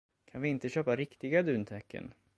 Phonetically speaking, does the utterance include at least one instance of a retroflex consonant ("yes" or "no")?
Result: no